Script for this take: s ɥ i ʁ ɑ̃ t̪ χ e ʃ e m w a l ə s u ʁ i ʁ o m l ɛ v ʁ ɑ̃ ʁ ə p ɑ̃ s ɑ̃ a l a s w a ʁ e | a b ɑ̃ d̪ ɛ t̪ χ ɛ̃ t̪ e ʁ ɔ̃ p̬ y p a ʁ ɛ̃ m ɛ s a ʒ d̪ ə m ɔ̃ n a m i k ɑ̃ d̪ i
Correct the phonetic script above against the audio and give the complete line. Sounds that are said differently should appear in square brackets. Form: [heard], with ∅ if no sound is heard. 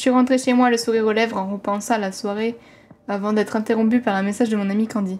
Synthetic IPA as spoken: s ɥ i ʁ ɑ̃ t̪ χ e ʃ e m w a l ə s u ʁ i ʁ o [∅] l ɛ v ʁ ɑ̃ ʁ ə p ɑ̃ s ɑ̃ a l a s w a ʁ e | a [v] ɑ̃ d̪ ɛ t̪ χ ɛ̃ t̪ e ʁ ɔ̃ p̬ y p a ʁ ɛ̃ m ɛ s a ʒ d̪ ə m ɔ̃ n a m i k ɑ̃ d̪ i